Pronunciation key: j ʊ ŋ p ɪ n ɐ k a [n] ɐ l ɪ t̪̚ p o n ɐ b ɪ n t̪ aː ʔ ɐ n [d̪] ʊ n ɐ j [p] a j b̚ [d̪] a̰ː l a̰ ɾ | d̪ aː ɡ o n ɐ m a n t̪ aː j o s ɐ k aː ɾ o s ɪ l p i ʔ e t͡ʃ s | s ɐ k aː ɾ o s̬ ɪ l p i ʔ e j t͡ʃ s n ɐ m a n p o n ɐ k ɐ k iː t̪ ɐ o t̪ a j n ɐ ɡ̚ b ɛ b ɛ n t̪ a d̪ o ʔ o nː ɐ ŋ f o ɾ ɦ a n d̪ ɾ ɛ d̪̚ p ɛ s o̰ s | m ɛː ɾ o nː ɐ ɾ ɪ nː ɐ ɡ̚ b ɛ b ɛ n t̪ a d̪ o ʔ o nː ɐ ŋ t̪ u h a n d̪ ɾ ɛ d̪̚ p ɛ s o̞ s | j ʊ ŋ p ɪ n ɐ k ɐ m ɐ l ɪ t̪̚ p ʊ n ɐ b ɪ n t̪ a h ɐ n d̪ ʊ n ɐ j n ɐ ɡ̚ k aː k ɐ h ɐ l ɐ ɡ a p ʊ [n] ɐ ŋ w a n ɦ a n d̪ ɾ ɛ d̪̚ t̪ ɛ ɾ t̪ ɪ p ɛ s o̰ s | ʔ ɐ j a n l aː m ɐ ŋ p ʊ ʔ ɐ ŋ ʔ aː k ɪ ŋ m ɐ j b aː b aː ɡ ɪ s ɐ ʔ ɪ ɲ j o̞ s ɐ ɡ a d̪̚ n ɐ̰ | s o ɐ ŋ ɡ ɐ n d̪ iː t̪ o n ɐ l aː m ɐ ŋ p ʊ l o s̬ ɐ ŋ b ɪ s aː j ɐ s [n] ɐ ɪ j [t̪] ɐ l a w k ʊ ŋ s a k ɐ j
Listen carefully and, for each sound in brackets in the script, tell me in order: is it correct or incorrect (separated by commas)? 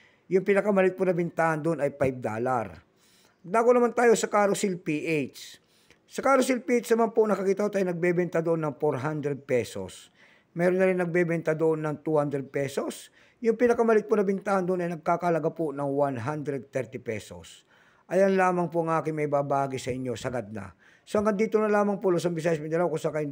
incorrect, correct, correct, correct, correct, incorrect, incorrect